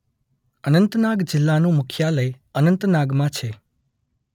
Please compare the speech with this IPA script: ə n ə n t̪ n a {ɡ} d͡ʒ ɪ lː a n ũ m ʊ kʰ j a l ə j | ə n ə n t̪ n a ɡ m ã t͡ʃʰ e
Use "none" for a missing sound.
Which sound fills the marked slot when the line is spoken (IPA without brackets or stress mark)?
ɡ